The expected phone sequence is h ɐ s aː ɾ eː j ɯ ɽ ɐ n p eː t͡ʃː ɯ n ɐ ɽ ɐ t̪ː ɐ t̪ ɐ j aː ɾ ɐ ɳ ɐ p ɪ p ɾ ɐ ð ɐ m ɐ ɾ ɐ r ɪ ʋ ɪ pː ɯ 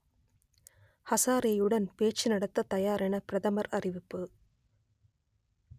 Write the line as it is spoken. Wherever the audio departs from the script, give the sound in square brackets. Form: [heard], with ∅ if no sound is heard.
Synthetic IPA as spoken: h ɐ s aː ɾ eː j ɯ ɽ ɐ n p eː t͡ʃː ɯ n ɐ ɽ ɐ t̪ː ɐ t̪ ɐ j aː ɾ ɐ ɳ ɐ p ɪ [∅] ɾ ɐ ð ɐ m ɐ ɾ ɐ r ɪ ʋ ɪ pː ɯ

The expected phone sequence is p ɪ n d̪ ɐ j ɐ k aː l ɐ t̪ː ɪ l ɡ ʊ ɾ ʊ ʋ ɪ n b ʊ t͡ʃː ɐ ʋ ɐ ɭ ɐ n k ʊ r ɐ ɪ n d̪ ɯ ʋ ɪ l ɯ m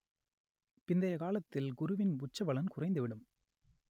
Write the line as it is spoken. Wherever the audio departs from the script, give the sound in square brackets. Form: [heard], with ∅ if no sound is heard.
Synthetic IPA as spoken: p ɪ n d̪ ɐ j ɐ k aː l ɐ t̪ː ɪ l ɡ ʊ ɾ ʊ ʋ ɪ n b ʊ t͡ʃː ɐ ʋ ɐ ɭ ɐ n k ʊ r ɐ ɪ n d̪ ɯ ʋ ɪ [ɽ] ɯ m

